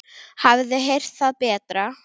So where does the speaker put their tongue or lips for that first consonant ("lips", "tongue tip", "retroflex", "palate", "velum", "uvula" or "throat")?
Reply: throat